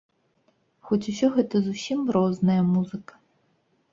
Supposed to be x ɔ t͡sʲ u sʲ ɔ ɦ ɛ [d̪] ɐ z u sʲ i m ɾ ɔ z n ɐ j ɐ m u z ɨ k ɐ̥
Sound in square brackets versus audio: incorrect: t̪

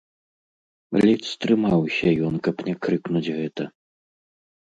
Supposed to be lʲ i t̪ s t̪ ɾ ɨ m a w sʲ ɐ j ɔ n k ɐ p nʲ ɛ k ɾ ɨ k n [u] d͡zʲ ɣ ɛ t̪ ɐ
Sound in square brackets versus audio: correct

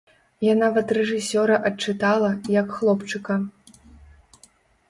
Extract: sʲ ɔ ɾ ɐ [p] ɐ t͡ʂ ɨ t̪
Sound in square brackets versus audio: incorrect: ʔ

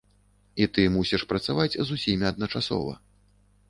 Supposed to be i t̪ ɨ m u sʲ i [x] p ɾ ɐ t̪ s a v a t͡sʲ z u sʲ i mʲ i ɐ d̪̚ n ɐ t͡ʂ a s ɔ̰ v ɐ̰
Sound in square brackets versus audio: incorrect: ʂ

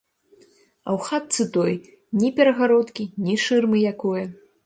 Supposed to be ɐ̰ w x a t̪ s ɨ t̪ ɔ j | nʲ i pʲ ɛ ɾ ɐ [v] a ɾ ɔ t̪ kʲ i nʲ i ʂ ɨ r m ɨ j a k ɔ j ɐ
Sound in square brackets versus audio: incorrect: ɣ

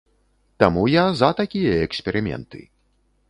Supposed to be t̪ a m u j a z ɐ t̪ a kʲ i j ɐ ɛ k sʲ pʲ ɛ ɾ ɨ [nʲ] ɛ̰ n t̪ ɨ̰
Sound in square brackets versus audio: incorrect: mʲ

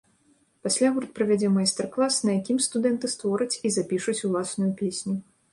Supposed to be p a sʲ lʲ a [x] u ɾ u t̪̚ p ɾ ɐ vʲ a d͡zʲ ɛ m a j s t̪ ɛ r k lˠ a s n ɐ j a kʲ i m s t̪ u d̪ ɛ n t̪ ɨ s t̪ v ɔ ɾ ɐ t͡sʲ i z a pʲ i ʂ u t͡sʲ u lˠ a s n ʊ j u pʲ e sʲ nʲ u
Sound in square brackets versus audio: incorrect: ɣ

